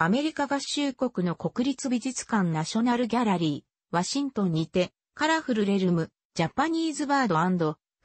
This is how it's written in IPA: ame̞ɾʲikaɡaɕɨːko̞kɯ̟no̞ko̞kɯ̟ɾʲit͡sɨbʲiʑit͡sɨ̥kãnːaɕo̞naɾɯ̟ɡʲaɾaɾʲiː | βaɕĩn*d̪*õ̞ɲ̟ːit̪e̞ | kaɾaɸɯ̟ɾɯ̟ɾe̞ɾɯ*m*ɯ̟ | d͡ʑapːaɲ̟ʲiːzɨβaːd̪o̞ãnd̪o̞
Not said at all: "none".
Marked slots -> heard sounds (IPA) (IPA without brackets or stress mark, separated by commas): t̪, m